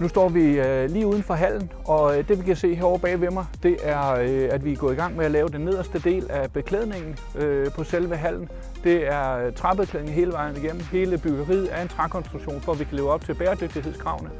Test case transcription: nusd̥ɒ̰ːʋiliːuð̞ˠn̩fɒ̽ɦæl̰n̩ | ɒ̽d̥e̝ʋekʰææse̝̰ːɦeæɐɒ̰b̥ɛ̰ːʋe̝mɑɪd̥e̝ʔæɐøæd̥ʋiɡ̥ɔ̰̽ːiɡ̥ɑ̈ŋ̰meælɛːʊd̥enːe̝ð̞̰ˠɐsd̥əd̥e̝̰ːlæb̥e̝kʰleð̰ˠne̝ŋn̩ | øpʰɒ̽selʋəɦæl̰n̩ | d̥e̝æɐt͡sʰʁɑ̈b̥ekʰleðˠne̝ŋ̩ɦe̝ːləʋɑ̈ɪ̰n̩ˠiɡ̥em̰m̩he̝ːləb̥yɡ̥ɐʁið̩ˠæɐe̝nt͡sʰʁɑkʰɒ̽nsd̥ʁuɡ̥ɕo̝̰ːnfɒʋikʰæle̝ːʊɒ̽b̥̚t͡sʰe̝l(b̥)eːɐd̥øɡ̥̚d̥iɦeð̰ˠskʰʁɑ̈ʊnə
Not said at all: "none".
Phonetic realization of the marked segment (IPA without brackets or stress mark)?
b̥